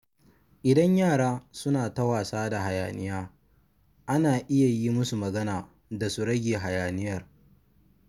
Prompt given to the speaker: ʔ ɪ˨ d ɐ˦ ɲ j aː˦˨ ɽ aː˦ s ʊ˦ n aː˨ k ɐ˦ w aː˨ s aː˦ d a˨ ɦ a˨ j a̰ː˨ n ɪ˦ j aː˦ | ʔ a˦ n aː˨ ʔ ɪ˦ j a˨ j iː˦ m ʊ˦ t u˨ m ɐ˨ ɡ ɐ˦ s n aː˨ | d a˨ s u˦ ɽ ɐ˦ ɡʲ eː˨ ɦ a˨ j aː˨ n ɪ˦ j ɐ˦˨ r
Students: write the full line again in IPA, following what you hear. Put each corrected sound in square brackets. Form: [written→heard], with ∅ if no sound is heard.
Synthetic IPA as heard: ʔ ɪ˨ d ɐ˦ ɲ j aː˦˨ ɽ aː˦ s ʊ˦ n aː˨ [k→t] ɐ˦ w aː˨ s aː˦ d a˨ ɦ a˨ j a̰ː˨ n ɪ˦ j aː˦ | ʔ a˦ n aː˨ ʔ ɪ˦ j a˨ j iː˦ m ʊ˦ [t→s] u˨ m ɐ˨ ɡ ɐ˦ [s→∅] n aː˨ | d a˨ s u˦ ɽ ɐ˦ ɡʲ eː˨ ɦ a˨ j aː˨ n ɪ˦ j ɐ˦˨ r